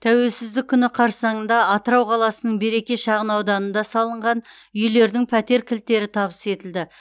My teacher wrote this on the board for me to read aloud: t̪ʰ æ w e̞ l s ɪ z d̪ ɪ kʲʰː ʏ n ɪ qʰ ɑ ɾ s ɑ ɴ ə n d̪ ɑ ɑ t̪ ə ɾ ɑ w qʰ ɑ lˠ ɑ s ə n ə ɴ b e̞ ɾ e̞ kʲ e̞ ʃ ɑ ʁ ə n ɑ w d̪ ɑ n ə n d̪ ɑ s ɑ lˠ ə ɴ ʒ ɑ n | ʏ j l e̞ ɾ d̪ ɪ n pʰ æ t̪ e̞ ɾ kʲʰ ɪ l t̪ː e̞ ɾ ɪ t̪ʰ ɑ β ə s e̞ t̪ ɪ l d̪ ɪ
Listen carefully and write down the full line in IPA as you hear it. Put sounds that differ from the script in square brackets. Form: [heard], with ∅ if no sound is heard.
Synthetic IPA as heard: t̪ʰ æ w e̞ l s ɪ z d̪ ɪ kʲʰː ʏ n ɪ qʰ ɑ ɾ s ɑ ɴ ə n d̪ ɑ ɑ t̪ ə ɾ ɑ w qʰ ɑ lˠ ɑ s ə n ə ɴ b e̞ ɾ e̞ kʲ e̞ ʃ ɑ ʁ ə n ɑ w d̪ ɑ n ə n d̪ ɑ s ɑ lˠ ə ɴ [ʁ] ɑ n | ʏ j l e̞ ɾ d̪ ɪ [ŋ] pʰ æ t̪ e̞ ɾ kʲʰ ɪ l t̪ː e̞ ɾ ɪ t̪ʰ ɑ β ə s e̞ t̪ ɪ l d̪ ɪ